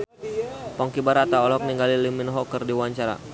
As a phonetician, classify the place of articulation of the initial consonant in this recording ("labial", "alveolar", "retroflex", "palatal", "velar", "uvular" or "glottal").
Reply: labial